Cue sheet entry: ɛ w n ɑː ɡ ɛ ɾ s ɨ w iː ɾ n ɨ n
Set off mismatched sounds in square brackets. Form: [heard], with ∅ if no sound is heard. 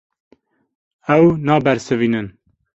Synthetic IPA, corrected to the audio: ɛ w n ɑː [b] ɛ ɾ s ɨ [v] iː [∅] n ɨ n